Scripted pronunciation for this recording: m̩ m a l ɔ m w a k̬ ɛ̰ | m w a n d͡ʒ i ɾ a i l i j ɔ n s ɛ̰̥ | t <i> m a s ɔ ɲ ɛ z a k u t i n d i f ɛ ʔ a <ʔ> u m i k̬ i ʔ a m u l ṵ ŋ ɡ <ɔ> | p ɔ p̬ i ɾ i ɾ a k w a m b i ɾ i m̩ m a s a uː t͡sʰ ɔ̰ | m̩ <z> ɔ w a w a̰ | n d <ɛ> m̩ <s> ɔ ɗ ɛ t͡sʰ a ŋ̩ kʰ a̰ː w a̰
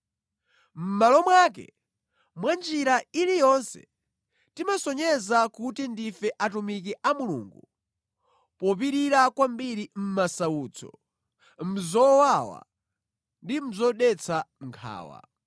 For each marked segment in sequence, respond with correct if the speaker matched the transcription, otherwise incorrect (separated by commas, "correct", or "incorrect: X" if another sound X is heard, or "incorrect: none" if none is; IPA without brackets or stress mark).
correct, incorrect: t, incorrect: u, correct, incorrect: i, incorrect: z